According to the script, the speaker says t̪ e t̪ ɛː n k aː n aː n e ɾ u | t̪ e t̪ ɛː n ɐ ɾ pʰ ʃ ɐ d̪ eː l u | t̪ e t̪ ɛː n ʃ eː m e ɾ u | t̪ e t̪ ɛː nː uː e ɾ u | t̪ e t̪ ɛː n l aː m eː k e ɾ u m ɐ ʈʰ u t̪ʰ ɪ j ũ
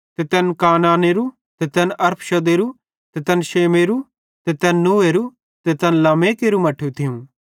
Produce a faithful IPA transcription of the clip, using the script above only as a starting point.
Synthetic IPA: t̪ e t̪ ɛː n k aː n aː n e ɾ u | t̪ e t̪ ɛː n ɐ ɾ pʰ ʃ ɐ d̪ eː ɾ u | t̪ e t̪ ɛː n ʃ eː m e ɾ u | t̪ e t̪ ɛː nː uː e ɾ u | t̪ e t̪ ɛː n l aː m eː k e ɾ u m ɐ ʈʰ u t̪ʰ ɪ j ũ